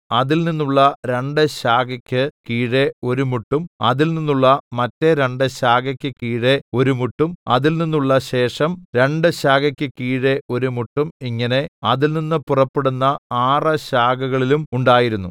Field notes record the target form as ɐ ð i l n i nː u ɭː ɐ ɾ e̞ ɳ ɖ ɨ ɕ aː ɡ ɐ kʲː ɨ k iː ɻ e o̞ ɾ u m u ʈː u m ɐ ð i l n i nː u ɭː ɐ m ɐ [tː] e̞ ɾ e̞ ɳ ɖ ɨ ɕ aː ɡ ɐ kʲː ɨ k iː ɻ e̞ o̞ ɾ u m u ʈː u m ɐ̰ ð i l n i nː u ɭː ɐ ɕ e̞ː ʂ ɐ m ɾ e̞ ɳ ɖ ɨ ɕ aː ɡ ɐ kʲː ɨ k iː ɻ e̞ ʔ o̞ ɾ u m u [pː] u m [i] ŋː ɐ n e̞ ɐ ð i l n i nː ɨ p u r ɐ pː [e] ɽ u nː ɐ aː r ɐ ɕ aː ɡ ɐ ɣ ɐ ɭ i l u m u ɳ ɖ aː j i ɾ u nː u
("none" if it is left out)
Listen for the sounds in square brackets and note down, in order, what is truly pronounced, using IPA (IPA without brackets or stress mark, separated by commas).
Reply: tː, ʈː, i, e